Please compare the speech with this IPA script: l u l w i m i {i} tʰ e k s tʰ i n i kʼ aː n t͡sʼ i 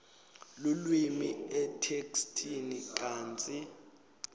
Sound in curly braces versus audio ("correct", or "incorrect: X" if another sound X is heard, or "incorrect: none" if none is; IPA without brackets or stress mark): incorrect: ɛ